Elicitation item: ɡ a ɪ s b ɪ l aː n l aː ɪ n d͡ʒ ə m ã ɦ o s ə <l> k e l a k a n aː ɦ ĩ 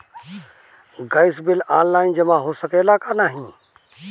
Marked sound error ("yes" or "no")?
yes